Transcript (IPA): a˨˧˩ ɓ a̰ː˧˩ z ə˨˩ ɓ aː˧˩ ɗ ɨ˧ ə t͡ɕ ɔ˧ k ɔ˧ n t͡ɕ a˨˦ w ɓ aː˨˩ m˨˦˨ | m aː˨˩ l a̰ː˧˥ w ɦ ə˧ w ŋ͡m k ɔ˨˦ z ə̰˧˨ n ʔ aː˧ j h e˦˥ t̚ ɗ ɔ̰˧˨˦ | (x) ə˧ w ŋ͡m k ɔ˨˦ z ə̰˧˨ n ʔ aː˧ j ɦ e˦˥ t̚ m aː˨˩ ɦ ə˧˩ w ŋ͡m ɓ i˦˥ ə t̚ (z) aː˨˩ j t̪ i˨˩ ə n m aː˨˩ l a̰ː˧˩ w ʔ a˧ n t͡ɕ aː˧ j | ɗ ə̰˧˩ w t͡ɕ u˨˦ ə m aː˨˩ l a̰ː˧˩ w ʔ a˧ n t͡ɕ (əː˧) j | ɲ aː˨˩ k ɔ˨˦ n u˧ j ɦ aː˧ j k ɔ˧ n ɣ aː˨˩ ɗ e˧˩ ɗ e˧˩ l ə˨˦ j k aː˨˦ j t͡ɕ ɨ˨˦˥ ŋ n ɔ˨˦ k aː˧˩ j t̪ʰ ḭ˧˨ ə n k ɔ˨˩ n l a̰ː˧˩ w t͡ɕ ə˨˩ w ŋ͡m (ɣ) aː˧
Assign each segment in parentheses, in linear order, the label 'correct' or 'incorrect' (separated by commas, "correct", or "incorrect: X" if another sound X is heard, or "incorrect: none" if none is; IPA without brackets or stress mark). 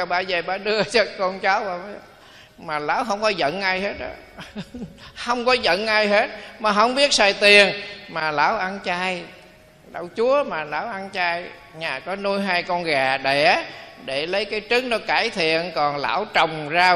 incorrect: h, incorrect: s, incorrect: aː˧, incorrect: z